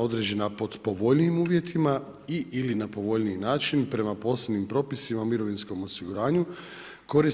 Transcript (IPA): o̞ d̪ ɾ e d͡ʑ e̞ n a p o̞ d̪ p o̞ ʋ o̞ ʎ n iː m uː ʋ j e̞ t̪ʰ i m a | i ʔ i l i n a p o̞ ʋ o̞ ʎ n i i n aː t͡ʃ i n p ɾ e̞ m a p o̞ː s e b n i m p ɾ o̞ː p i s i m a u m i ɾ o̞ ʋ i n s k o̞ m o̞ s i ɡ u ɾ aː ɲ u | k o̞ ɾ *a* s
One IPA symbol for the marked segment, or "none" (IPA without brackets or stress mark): i